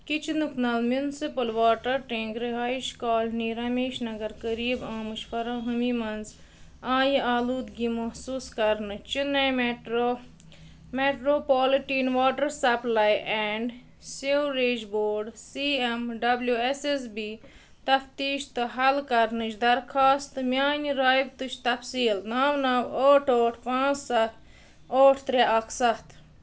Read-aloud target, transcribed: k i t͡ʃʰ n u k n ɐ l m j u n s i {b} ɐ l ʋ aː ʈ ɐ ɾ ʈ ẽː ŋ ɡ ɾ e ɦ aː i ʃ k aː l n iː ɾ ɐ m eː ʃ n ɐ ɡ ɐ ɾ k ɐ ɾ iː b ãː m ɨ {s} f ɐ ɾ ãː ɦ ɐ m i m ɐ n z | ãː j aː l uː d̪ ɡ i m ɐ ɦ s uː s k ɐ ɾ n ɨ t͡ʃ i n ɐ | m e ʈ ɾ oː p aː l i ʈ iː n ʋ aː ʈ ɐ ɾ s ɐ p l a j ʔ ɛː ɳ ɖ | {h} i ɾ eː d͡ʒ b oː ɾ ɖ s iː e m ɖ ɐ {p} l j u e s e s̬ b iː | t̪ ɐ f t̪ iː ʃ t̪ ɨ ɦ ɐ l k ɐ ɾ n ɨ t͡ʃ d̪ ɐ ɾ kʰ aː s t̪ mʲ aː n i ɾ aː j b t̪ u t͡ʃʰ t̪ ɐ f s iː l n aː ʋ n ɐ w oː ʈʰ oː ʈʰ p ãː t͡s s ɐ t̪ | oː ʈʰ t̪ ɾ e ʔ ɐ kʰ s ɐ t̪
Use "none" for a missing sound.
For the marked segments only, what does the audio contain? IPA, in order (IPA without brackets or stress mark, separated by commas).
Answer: p, ʃ, s, b